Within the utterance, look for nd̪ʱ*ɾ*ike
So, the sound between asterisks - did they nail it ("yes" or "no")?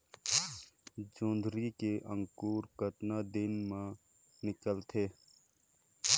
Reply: yes